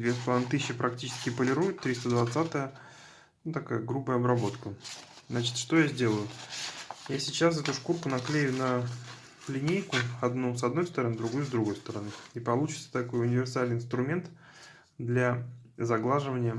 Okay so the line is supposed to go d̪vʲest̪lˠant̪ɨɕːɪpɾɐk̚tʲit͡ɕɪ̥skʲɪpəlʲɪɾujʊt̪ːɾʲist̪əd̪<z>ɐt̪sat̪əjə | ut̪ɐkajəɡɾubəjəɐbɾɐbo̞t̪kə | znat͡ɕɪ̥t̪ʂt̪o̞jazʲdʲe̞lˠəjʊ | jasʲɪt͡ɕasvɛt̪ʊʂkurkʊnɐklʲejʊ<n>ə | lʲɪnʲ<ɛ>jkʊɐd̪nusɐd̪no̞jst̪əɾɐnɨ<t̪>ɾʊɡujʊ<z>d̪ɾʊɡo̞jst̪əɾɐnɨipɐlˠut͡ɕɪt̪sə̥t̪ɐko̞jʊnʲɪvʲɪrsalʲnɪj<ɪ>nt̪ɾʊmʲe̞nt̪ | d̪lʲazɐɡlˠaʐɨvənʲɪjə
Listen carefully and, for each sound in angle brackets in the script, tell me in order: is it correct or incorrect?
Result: incorrect, correct, incorrect, incorrect, correct, correct

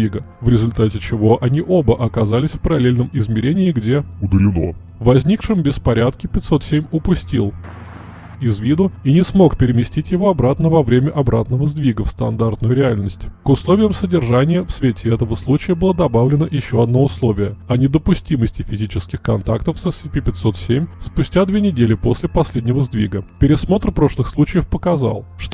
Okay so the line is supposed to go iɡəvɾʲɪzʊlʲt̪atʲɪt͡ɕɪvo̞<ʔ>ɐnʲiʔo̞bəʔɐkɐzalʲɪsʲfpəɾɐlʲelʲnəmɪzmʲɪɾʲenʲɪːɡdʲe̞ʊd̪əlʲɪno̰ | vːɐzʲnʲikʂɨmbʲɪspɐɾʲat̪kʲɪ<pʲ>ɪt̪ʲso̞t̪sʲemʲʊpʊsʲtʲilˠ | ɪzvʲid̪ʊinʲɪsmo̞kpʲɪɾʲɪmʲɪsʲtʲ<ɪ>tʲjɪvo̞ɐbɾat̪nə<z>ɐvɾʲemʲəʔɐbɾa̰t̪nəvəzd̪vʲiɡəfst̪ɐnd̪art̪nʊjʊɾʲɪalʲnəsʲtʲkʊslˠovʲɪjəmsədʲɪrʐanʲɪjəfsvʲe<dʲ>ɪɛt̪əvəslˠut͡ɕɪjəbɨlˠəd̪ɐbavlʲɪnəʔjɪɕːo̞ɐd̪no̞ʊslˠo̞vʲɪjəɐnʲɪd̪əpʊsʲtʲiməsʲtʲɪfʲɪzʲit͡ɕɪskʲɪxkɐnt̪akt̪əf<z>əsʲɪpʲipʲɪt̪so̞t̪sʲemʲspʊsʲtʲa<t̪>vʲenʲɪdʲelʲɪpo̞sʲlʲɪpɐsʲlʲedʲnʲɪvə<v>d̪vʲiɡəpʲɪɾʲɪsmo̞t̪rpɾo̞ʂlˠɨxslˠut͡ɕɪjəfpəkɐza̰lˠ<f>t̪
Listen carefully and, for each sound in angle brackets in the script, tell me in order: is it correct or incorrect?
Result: correct, correct, incorrect, incorrect, incorrect, incorrect, incorrect, incorrect, incorrect

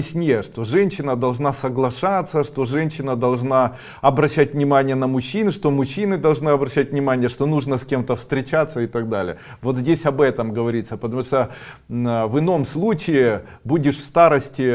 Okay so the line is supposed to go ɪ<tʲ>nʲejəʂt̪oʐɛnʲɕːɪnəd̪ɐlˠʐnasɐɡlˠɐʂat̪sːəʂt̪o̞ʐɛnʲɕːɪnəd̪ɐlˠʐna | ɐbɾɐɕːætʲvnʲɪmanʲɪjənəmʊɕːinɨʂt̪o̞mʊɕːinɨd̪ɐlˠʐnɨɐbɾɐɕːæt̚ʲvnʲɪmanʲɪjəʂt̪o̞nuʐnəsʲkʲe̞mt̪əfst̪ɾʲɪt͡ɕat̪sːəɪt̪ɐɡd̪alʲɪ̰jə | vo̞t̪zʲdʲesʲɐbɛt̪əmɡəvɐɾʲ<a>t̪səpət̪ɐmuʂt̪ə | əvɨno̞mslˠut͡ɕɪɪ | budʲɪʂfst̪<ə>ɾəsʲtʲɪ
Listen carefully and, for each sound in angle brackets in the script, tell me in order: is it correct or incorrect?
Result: incorrect, incorrect, incorrect

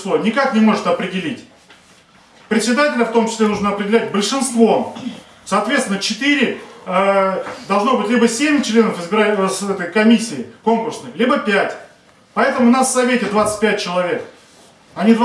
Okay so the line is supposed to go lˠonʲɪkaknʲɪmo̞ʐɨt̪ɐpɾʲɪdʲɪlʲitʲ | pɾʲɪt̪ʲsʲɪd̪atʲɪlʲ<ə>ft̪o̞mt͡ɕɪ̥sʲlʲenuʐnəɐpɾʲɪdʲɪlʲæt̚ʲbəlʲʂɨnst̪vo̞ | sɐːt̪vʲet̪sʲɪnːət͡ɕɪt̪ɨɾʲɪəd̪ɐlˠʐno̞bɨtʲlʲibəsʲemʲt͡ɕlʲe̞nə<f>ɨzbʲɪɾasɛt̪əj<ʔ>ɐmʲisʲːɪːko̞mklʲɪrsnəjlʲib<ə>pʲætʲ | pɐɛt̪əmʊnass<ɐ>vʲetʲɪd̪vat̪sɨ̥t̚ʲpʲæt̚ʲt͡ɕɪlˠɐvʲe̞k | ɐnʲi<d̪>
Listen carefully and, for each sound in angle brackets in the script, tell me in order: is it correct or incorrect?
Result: correct, correct, incorrect, correct, correct, correct

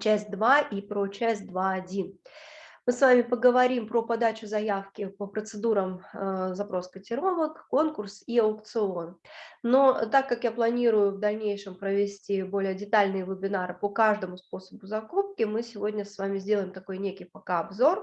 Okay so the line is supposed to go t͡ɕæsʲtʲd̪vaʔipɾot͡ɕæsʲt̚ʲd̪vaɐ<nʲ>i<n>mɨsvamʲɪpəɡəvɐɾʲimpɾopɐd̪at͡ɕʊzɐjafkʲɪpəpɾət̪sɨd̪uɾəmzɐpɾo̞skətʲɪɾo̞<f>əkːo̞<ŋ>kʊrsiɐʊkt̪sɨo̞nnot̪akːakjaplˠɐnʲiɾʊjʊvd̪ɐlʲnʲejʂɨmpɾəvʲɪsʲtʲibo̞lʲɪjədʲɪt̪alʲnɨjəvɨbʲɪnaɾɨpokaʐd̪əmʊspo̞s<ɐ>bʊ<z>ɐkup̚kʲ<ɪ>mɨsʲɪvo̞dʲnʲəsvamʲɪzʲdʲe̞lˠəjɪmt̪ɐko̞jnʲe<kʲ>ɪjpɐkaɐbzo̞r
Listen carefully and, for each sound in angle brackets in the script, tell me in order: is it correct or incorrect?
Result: incorrect, correct, incorrect, incorrect, incorrect, correct, correct, correct

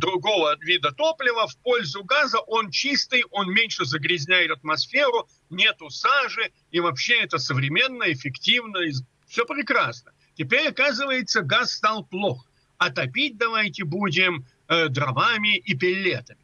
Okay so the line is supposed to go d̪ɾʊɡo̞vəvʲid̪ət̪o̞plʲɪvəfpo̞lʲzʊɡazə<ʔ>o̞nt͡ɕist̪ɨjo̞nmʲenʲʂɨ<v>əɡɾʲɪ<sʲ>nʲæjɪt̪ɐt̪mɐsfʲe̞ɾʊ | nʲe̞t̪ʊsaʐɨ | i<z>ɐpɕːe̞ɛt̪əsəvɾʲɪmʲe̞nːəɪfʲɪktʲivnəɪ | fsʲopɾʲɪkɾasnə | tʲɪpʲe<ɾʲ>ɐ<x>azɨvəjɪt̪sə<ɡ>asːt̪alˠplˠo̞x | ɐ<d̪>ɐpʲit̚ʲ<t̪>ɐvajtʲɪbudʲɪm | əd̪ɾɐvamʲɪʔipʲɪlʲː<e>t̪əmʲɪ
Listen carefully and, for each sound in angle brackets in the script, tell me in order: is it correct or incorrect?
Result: correct, incorrect, incorrect, incorrect, correct, incorrect, correct, incorrect, incorrect, correct

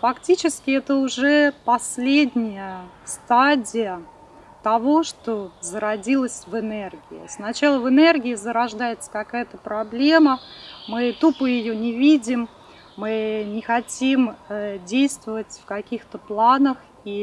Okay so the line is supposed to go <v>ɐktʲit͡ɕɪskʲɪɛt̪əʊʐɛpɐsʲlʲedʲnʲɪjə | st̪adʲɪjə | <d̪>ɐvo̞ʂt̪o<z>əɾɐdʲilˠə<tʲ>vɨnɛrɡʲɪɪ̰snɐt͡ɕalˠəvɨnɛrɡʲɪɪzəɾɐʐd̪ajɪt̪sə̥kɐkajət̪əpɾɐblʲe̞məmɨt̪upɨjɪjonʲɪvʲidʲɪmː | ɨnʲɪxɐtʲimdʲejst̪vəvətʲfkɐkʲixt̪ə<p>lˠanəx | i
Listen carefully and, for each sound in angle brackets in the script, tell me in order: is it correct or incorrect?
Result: incorrect, incorrect, correct, incorrect, correct

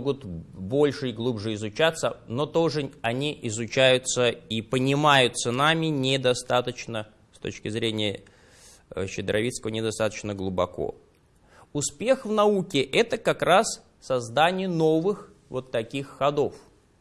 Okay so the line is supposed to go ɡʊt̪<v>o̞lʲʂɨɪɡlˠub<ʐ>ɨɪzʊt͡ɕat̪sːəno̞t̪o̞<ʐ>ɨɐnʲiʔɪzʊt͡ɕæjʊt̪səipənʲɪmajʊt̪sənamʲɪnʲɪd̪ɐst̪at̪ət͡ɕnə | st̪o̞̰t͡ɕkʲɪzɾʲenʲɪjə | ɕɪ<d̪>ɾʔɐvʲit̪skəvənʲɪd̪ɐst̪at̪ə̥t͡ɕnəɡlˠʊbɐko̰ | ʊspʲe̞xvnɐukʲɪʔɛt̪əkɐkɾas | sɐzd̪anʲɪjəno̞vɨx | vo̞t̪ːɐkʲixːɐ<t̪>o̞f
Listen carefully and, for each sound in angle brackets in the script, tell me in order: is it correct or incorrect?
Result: incorrect, correct, correct, correct, incorrect

